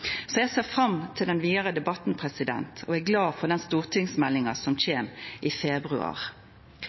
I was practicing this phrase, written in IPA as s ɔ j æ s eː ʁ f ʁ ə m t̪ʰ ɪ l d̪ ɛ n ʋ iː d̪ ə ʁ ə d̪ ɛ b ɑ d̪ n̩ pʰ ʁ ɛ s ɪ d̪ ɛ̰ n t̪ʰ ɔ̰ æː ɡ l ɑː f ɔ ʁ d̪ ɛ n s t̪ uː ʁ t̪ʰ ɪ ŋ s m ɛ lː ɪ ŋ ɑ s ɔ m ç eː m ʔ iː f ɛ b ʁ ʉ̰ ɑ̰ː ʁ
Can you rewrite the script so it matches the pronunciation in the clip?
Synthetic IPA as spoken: s ɔ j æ s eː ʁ f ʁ ɑ m t̪ʰ ɪ l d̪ ɛ n ʋ iː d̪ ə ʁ ə d̪ ɛ b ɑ t̪ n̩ pʰ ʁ ɛ s ɪ d̪ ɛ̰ n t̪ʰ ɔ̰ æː ɡ l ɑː f ɔ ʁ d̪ ɛ n s t̪ uː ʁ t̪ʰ ɪ ŋ s m ɛ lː ɪ ŋ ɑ s ɔ m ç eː m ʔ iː f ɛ b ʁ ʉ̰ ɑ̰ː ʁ